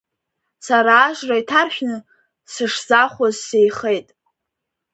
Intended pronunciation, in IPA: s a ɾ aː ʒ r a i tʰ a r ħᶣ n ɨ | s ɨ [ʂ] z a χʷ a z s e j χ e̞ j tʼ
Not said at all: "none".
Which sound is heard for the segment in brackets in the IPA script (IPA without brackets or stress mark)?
ʂ